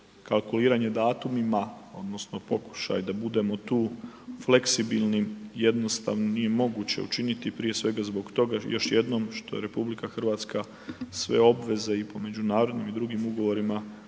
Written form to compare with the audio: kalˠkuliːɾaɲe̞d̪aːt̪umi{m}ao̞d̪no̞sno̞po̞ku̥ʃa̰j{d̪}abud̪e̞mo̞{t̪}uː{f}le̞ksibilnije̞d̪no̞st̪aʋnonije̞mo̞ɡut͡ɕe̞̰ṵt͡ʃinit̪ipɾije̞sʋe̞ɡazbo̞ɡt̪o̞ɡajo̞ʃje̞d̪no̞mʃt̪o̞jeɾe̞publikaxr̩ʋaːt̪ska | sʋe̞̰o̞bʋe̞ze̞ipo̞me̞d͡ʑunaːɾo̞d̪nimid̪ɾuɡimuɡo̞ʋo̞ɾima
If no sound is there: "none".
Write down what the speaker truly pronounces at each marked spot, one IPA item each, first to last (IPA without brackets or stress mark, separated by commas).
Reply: m, d̪, t̪, f